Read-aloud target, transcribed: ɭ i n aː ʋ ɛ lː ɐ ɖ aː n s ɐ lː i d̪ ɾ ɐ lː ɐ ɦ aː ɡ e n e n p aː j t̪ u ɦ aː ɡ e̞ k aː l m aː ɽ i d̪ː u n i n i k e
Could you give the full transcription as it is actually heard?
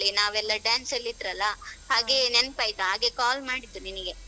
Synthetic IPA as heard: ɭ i n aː ʋ ɛ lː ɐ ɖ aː n s ɐ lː i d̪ ɾ ɐ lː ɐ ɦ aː ɡ e n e n p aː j t̪ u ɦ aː ɡ e̞ k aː l m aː ɽ i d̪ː u n i n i ɡ e